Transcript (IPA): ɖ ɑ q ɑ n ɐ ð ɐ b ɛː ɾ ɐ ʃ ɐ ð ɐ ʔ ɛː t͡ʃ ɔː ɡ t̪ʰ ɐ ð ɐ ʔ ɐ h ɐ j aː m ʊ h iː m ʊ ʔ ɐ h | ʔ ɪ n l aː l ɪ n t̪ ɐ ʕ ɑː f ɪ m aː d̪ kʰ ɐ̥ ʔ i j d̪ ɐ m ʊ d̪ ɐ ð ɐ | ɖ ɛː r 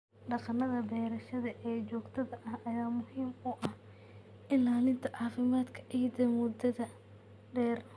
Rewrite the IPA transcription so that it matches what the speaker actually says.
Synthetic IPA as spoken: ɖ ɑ q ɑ n ɐ ð ɐ b ɛː ɾ ɐ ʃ ɐ ð ɐ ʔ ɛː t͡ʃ ɔː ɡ t̪ʰ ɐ ð ɐ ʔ ɐ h ɐ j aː m ʊ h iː m ʊ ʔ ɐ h | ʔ ɪ n l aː l ɪ n t̪ʰ ɐ ʕ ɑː f ɪ m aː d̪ kʰ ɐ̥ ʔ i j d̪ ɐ m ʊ d̪ ɐ ð ɐ | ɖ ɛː r